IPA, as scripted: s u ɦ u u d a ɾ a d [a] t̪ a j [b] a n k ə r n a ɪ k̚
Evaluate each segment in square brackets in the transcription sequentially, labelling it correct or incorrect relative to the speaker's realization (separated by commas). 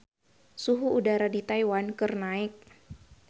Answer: incorrect, incorrect